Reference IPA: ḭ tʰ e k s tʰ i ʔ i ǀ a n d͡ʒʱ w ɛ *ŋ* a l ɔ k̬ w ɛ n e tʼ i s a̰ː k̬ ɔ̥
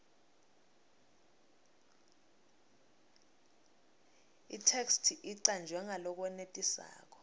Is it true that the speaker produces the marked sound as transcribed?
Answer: yes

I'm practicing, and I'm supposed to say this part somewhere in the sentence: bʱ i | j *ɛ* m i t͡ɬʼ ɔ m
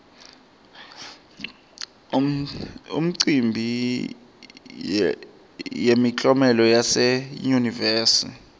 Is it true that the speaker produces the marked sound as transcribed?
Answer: no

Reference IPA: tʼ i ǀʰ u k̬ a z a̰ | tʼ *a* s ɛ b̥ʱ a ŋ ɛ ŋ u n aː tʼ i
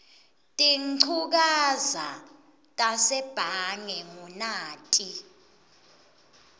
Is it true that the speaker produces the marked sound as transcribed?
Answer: yes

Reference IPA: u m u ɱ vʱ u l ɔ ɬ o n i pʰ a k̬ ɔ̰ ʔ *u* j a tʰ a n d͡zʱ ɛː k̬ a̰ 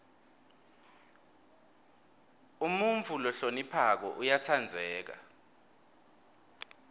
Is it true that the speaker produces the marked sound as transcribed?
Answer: yes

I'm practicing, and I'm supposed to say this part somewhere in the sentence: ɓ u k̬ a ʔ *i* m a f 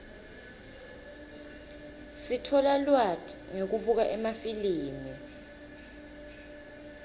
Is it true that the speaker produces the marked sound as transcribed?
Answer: no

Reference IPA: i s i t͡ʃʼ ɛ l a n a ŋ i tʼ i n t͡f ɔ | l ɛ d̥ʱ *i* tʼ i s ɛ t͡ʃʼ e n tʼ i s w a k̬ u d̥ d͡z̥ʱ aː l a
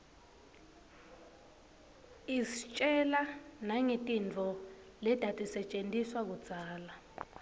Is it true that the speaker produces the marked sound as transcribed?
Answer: no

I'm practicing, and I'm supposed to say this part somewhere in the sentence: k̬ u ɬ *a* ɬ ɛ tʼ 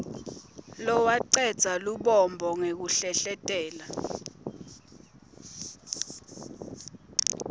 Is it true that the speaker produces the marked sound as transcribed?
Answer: no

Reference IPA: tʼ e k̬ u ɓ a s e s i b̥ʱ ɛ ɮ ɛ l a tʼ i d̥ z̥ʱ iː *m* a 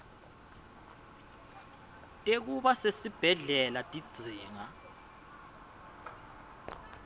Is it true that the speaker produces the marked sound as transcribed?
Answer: no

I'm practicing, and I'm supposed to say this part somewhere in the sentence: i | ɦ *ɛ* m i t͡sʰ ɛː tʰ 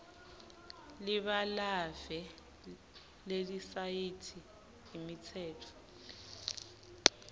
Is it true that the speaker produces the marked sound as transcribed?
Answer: no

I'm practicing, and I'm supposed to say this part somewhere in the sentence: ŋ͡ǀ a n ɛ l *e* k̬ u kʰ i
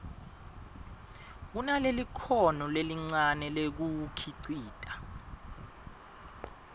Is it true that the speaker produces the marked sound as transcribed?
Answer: yes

